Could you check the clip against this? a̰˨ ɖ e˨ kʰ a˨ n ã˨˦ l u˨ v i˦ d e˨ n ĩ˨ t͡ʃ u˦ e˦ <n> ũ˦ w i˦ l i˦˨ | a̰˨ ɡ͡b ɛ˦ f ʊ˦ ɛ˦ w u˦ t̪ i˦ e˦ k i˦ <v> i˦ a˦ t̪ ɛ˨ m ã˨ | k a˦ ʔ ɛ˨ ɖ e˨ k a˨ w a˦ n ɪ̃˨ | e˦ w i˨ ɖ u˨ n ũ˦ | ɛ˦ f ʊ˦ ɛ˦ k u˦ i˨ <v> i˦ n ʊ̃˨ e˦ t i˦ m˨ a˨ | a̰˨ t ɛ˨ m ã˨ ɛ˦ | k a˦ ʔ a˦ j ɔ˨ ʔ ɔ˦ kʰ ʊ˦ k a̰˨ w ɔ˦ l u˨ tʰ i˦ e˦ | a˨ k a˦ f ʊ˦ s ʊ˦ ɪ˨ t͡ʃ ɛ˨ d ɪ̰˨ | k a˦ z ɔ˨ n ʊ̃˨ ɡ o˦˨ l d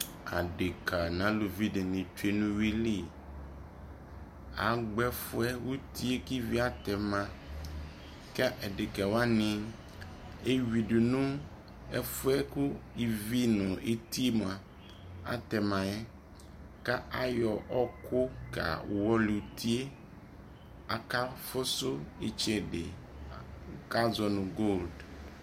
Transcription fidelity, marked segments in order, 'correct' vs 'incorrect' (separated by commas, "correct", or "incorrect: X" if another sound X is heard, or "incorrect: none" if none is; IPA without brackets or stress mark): correct, correct, correct